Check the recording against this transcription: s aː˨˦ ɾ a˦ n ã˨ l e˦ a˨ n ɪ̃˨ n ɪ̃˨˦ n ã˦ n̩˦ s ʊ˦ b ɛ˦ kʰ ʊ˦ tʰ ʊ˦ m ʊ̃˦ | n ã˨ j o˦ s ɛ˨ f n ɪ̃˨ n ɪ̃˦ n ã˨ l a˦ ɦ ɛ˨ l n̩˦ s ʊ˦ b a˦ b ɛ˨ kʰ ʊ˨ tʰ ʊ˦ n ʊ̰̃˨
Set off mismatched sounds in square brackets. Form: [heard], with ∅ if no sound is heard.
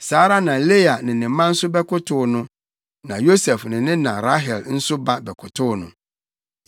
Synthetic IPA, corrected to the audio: s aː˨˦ ɾ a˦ n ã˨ l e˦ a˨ n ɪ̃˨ n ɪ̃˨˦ [m] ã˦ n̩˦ s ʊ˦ b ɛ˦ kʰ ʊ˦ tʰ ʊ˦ [n] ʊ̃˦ | n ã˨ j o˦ s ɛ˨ f n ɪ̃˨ n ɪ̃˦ n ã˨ [ɾ] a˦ ɦ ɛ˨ l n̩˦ s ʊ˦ b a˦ b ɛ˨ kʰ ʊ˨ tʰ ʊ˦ n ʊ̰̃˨